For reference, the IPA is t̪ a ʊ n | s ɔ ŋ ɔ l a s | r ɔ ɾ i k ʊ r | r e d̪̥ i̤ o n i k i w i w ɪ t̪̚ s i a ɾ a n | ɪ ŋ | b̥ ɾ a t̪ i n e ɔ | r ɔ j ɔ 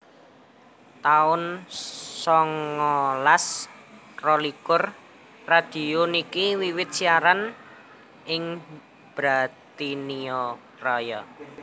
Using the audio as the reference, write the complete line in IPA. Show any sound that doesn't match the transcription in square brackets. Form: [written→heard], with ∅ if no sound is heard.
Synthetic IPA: t̪ a ʊ n | s ɔ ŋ ɔ l a s | r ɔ [ɾ→l] i k ʊ r | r [e→a] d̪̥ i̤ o n i k i w i w ɪ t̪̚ s i a ɾ a n | ɪ ŋ | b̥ ɾ a t̪ i n [e→i] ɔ | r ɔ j ɔ